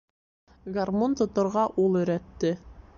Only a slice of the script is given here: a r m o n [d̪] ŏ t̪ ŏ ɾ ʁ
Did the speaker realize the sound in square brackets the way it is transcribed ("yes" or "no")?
no